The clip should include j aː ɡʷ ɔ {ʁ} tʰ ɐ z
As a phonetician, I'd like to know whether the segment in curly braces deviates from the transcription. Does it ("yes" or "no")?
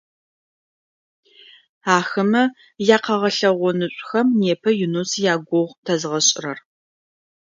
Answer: no